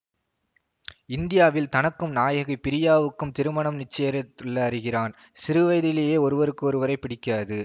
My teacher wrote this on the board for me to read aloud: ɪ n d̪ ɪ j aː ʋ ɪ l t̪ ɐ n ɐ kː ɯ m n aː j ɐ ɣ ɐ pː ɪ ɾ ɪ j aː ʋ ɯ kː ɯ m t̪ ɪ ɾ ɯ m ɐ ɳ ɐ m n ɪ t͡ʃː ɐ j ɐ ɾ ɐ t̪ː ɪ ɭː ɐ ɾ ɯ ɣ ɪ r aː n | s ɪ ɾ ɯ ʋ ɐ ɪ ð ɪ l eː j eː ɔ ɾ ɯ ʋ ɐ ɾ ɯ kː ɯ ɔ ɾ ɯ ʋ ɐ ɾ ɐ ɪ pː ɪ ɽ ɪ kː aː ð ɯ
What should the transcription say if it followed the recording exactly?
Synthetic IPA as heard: ɪ n d̪ ɪ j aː ʋ ɪ l t̪ ɐ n ɐ kː ɯ m n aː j ɐ ɣ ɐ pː ɪ ɾ ɪ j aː ʋ ɯ kː ɯ m t̪ ɪ ɾ ɯ m ɐ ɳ ɐ m n ɪ t͡ʃː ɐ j ɐ ɾ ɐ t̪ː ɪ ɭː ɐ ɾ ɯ ɣ ɪ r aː n | s ɪ ɾ ɯ ʋ ɐ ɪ ð ɪ l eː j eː ɔ ɾ ɯ ʋ ɐ ɾ ɯ kː ɯ ɔ ɾ ɯ ʋ ɐ ɾ ɐ ɪ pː ɪ ɽ ɪ kː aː ð ɯ